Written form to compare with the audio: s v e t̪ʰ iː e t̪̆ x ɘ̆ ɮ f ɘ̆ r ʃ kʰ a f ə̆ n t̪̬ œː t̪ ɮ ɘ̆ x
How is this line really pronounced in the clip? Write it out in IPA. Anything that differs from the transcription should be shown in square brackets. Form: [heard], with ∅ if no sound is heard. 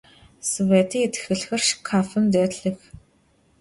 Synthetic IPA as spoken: s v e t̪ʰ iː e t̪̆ x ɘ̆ ɮ [x] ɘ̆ r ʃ kʰ a f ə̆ n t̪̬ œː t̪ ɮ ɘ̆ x